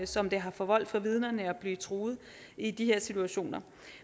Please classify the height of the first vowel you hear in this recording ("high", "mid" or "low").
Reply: low